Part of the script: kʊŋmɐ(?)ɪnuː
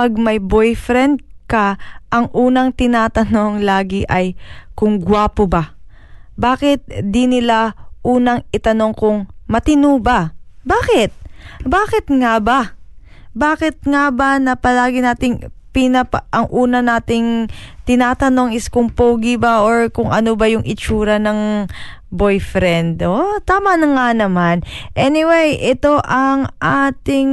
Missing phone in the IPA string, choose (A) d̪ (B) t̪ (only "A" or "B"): B